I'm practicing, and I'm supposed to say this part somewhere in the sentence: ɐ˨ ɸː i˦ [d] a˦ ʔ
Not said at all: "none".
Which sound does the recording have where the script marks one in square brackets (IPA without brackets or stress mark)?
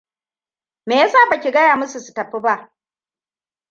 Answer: b